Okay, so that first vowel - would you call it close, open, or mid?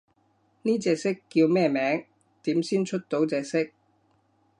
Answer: close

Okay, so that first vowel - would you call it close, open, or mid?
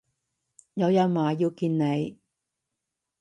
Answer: open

